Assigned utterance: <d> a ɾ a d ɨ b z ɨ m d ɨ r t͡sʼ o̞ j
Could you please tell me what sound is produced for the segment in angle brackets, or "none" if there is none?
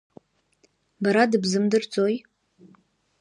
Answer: b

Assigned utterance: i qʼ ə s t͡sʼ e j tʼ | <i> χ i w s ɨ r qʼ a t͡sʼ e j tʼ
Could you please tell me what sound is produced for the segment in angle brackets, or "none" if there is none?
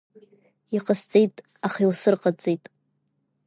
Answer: a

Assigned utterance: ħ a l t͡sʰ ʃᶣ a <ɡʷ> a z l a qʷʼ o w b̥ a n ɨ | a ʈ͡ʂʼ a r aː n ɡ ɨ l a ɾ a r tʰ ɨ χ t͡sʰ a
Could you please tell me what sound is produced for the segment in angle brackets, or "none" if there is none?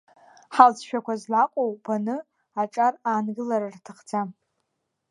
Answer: kʷ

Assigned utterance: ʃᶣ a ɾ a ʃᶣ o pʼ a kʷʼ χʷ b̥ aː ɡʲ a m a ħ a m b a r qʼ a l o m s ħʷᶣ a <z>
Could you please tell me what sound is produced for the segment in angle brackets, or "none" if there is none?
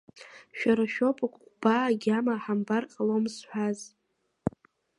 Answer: z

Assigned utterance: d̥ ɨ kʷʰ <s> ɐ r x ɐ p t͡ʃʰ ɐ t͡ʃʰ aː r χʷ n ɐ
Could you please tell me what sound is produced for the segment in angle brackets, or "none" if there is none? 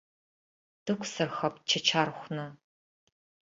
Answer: s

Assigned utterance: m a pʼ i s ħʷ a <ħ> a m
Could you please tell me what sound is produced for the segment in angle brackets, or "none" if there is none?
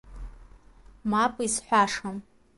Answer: ʂ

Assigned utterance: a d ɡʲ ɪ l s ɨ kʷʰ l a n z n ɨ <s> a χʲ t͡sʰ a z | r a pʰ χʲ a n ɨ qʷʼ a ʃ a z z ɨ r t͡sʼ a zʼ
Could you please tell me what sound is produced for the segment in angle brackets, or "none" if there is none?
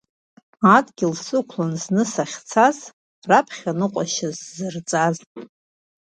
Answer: s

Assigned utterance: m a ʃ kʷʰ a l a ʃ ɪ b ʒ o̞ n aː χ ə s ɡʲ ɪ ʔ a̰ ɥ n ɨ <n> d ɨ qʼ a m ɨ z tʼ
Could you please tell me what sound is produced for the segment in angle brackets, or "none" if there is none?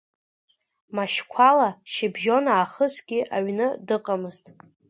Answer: none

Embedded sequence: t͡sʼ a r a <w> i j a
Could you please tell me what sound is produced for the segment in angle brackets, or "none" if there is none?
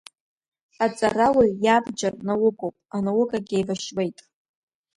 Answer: w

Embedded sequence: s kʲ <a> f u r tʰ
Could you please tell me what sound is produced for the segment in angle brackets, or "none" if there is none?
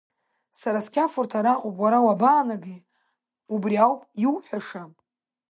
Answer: a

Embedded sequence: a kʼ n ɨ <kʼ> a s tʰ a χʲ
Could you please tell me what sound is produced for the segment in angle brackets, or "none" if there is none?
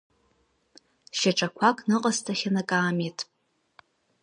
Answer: qʼ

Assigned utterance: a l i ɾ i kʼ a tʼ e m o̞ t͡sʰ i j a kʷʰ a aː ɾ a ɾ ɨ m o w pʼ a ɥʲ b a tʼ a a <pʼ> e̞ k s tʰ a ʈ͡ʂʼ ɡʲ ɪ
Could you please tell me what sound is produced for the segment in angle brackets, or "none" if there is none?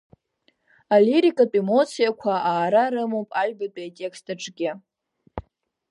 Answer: tʼ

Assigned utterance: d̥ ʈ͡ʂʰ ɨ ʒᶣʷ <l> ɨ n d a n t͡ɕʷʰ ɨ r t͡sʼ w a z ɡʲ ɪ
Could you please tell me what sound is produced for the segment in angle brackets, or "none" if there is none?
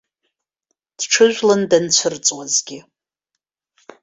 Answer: l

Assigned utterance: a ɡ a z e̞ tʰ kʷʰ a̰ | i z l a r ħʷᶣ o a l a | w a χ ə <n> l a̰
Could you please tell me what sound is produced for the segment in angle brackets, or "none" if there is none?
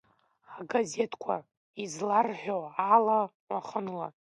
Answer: n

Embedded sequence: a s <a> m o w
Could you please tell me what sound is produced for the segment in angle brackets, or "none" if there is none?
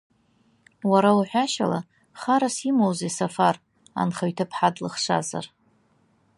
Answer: i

